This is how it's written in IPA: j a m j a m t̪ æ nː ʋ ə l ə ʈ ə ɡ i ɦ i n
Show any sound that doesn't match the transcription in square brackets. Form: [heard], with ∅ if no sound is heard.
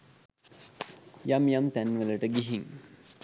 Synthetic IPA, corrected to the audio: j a m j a m t̪ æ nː ʋ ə l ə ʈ ə ɡ i ɦ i [ŋ]